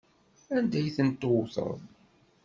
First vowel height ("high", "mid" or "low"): low